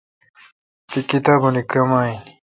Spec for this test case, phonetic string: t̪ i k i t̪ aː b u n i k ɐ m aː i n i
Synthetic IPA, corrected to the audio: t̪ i k i t̪ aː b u n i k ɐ m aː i n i